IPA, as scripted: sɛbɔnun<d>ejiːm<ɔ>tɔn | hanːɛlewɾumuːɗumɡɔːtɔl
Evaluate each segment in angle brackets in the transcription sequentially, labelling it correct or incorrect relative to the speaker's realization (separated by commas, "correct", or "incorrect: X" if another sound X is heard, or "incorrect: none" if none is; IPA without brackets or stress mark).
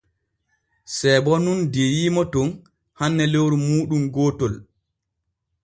correct, correct